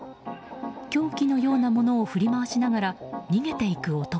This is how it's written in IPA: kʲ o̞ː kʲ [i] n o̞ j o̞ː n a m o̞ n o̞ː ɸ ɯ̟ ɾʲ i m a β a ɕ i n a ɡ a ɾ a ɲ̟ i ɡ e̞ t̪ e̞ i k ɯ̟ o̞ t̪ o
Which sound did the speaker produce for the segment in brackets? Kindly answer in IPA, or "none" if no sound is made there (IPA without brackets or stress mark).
i